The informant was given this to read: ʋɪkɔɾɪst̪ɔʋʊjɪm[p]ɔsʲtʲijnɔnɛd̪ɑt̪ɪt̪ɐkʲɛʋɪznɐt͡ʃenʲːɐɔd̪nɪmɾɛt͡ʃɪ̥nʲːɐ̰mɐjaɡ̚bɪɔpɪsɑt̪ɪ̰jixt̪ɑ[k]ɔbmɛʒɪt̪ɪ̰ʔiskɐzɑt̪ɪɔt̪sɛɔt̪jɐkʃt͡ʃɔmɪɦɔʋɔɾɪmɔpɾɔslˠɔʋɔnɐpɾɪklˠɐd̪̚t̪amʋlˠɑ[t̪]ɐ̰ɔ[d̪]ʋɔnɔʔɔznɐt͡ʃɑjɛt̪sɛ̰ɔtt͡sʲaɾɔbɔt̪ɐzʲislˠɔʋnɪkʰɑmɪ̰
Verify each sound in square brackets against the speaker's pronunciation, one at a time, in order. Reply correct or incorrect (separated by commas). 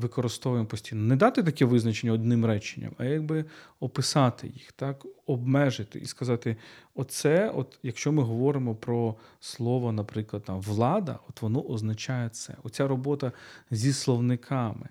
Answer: correct, correct, incorrect, incorrect